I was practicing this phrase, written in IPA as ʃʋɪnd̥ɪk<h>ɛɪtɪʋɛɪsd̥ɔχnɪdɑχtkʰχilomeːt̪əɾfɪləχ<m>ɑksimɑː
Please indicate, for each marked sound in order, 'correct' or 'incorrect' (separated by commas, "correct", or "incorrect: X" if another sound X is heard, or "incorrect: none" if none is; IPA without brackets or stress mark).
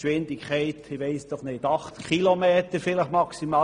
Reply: incorrect: χ, correct